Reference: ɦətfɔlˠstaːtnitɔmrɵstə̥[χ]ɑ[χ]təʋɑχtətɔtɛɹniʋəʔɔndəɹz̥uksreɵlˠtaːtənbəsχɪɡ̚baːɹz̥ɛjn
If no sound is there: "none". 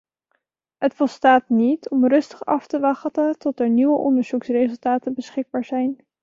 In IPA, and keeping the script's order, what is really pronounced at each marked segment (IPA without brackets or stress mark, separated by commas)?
χ, f